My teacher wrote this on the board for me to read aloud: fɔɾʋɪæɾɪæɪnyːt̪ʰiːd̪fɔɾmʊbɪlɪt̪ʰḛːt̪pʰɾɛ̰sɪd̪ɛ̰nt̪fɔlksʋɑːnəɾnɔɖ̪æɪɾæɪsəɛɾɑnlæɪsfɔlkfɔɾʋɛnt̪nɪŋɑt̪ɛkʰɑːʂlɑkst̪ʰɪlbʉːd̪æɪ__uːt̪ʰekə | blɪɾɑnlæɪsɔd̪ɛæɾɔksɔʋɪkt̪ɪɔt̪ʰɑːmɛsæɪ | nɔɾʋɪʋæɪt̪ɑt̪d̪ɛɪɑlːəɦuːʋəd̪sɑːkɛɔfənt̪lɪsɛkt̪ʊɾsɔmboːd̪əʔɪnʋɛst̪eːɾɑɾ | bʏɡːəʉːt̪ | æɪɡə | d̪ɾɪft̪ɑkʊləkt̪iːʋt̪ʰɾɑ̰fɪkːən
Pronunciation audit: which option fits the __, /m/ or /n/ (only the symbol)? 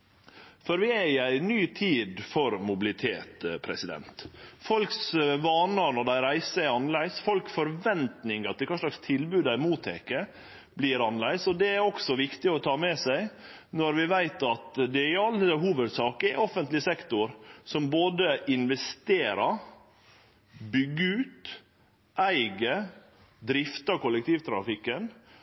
m